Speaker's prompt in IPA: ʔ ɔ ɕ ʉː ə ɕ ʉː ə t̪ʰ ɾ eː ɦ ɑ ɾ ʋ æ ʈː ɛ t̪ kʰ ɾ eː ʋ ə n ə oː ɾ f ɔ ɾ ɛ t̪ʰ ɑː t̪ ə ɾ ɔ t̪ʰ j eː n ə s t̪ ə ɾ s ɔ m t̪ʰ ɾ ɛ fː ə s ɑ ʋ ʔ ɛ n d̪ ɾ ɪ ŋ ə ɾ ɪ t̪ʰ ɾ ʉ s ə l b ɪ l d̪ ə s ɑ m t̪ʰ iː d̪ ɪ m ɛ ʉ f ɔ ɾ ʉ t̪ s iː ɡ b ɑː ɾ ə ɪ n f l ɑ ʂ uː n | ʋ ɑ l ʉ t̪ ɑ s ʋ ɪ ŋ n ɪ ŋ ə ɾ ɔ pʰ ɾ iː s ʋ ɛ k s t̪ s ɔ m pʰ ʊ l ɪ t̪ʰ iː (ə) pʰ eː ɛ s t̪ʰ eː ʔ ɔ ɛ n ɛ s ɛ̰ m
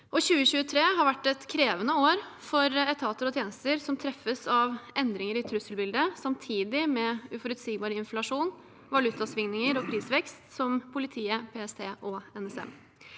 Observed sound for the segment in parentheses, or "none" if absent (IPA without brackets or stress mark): ə